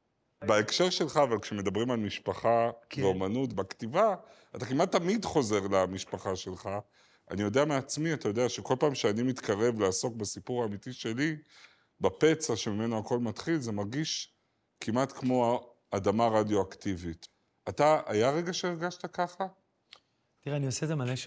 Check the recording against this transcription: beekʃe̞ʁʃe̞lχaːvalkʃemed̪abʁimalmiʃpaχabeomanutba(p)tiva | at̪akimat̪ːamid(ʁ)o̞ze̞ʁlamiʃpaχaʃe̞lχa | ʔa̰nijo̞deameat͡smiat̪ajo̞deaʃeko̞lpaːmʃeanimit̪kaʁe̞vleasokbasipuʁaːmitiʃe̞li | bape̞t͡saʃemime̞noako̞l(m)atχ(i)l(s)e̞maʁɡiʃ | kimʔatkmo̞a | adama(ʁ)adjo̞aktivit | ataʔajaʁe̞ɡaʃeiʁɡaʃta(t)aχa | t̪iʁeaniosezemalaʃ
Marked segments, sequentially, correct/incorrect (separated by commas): incorrect, incorrect, correct, correct, incorrect, correct, incorrect